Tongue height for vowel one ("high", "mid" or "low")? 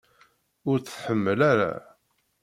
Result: high